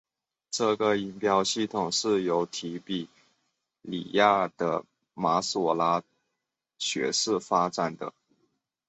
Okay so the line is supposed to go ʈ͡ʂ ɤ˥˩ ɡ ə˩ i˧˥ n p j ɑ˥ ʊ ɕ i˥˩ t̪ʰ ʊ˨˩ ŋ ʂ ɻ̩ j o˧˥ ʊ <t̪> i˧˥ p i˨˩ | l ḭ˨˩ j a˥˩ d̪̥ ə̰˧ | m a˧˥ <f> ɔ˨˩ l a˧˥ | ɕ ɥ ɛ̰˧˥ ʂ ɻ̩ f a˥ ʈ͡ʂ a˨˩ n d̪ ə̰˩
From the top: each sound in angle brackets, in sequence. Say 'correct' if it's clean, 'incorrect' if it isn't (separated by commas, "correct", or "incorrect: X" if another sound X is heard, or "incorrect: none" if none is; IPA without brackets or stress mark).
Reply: incorrect: t̪ʰ, incorrect: s